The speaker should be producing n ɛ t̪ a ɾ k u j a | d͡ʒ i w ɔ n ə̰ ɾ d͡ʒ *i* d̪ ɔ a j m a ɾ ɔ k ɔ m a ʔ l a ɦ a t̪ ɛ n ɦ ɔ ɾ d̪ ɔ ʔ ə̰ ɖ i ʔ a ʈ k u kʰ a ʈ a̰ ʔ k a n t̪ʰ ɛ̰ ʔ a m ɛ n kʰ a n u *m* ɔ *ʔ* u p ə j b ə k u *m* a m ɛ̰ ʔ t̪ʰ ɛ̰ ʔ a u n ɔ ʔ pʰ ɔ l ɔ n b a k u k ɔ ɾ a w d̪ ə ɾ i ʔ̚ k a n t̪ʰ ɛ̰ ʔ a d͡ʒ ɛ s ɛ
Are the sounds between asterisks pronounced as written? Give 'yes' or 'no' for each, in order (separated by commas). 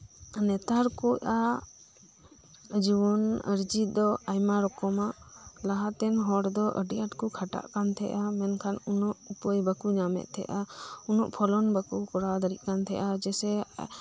yes, no, yes, no